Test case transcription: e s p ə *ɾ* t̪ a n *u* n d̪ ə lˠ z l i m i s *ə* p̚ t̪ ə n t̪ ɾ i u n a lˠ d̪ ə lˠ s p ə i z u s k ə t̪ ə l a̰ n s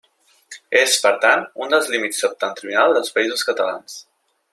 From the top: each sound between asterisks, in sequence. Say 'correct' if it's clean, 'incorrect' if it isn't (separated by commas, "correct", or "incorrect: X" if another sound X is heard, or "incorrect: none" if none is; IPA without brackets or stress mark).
correct, correct, correct